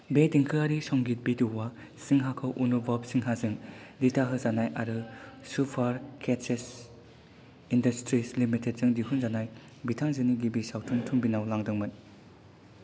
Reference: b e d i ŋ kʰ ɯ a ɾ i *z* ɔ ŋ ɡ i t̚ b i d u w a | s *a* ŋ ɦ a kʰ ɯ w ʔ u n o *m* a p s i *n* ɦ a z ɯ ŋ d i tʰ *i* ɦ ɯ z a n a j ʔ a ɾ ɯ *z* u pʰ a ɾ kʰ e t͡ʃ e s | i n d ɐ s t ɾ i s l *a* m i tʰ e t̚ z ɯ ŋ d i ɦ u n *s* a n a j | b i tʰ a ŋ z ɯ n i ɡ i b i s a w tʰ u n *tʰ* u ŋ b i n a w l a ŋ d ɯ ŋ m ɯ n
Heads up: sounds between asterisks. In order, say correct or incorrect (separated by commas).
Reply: incorrect, incorrect, incorrect, incorrect, incorrect, incorrect, incorrect, incorrect, correct